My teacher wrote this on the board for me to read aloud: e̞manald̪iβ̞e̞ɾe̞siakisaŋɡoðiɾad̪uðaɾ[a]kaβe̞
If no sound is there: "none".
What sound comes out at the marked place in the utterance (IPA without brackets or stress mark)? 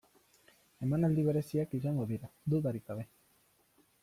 i